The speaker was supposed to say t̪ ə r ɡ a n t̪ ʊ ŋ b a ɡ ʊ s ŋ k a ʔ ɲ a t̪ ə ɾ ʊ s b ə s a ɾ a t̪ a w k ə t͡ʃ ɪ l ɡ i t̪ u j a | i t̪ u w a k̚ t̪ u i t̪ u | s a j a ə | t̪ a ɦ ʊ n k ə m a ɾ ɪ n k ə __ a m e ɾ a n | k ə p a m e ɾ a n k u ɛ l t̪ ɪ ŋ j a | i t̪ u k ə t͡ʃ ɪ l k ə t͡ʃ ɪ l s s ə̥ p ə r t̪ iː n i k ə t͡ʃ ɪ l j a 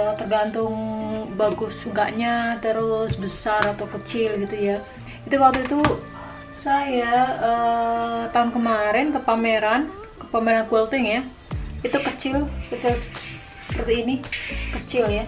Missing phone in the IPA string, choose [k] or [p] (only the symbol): p